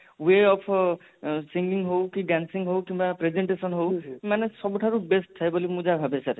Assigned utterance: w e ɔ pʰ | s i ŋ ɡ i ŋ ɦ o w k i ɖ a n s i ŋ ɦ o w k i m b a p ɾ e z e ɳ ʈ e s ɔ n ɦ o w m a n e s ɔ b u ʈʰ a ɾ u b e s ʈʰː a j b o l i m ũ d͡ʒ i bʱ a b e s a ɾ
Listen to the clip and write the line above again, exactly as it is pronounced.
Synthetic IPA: w e ɔ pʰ | s i ŋ ɡ i ŋ ɦ o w k i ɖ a n s i ŋ ɦ o w k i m b a p ɾ e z e ɳ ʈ e s ɔ n ɦ o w m a n e s ɔ b u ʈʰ a ɾ u b e s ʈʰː a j b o l i m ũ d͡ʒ a bʱ a b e s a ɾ